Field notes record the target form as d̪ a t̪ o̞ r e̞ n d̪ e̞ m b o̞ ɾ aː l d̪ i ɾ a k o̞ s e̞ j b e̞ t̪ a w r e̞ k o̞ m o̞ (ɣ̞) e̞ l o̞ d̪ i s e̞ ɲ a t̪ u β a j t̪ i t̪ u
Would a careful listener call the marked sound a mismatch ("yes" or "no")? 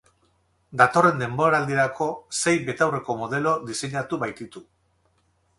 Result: yes